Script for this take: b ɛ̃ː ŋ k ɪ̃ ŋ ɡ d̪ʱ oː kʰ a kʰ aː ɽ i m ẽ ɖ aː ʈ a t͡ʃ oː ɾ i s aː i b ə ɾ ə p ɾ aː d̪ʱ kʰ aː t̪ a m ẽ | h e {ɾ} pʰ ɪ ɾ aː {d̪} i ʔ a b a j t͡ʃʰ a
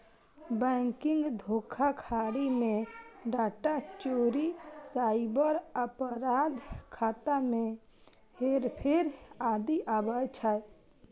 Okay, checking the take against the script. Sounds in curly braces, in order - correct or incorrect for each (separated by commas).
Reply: correct, correct